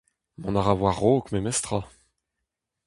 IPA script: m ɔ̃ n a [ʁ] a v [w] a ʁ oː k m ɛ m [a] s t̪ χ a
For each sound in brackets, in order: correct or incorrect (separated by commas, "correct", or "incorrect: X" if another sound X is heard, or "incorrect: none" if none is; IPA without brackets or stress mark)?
correct, correct, incorrect: ɛ